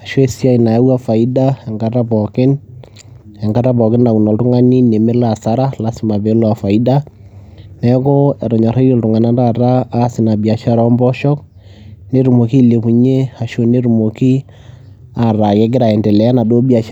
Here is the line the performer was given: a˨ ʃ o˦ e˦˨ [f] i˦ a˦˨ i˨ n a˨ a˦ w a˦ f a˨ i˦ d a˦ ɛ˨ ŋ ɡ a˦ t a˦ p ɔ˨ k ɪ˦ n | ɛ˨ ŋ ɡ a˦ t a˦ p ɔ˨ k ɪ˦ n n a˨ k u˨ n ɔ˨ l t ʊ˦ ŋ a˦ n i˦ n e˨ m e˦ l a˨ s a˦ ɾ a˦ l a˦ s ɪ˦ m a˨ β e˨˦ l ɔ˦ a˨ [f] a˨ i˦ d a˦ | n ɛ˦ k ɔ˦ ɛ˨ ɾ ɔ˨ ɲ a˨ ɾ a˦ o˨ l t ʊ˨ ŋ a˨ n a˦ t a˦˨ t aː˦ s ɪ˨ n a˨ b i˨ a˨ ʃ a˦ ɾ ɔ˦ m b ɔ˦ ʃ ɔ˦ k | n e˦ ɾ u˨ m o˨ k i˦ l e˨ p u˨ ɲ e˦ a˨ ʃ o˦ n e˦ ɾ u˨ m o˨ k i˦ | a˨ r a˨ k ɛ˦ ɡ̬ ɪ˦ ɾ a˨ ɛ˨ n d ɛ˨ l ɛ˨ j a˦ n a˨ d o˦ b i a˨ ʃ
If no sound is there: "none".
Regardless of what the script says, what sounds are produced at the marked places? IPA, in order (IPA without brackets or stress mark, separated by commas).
s, f